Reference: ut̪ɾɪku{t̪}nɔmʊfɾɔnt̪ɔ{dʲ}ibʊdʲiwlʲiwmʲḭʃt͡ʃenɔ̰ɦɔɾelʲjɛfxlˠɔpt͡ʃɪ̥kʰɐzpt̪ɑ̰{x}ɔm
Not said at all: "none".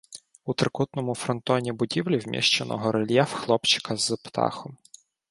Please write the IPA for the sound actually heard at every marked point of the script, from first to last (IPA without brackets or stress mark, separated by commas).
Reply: t̪, nʲ, x